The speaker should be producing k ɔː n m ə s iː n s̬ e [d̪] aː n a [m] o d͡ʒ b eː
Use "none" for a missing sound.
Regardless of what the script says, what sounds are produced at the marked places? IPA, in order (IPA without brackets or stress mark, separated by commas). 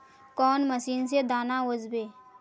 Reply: d̪, none